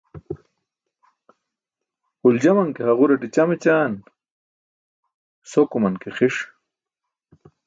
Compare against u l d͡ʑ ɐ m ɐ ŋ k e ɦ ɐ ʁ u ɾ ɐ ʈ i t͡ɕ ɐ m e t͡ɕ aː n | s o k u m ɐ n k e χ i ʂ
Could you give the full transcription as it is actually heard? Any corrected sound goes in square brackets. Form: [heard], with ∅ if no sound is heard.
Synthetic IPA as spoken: u l d͡ʑ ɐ m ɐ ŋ k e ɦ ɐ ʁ u ɾ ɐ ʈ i t͡ɕ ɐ m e t͡ɕ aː n | s o k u m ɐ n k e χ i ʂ